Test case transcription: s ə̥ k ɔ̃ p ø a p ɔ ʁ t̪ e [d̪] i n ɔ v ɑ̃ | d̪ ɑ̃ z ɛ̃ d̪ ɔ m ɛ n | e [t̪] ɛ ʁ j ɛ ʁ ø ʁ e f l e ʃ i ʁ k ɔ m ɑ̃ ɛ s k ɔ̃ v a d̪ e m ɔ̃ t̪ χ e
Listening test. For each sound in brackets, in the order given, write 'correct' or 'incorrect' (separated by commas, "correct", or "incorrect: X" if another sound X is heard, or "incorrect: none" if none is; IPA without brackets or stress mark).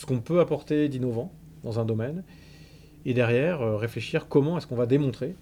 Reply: correct, incorrect: d̪